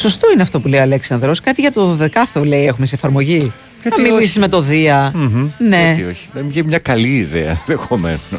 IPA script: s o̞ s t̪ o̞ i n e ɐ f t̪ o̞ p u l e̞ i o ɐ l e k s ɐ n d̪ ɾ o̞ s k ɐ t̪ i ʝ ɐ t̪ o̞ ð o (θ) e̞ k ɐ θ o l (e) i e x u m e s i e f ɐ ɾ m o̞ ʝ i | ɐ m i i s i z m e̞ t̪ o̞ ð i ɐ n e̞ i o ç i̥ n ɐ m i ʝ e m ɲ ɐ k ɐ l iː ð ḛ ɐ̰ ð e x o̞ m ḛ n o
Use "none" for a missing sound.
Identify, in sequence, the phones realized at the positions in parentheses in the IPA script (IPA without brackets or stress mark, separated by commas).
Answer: ð, e